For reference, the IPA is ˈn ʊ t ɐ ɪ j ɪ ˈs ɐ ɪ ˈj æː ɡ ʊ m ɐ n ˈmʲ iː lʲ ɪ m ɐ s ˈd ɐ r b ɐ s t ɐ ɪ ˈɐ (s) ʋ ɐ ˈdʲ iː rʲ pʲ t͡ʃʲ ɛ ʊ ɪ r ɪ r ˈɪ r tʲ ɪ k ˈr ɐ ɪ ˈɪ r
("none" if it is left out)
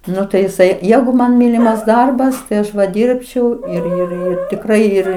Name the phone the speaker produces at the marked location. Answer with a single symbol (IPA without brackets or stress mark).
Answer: ʃ